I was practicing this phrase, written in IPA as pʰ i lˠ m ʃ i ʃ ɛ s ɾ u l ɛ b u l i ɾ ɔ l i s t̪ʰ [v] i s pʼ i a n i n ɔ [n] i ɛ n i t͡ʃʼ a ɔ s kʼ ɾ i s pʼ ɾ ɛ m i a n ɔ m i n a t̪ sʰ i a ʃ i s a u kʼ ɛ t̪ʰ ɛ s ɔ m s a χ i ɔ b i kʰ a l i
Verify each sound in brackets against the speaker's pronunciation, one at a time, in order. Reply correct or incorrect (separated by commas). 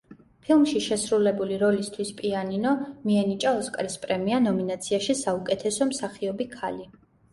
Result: incorrect, incorrect